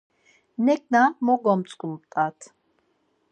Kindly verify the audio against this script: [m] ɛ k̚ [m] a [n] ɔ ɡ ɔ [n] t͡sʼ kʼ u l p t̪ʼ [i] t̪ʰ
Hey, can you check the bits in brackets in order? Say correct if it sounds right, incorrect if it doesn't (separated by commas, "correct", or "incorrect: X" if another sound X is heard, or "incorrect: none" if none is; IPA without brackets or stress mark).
incorrect: n, incorrect: n, incorrect: m, incorrect: m, incorrect: a